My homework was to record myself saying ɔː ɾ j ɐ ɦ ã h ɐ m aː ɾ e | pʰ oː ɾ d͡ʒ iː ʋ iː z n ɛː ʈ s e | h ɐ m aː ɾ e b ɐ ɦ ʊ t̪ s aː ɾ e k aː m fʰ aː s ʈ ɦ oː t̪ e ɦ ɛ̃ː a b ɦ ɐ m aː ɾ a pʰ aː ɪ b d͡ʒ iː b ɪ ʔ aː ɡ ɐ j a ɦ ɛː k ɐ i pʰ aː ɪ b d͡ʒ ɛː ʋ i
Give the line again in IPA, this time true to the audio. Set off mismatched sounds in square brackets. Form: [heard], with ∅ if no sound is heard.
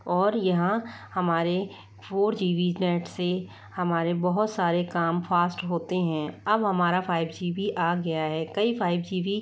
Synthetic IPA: ɔː ɾ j ɐ ɦ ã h ɐ m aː ɾ e | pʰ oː ɾ d͡ʒ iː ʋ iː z n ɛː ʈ s e | h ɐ m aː ɾ e b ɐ ɦ ʊ t̪ s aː ɾ e k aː m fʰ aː s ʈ ɦ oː t̪ e ɦ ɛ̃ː [ɐ] b ɦ ɐ m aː ɾ a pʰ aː ɪ b d͡ʒ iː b [i] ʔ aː ɡ ɐ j a ɦ ɛː k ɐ i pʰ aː ɪ b d͡ʒ [iː] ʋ i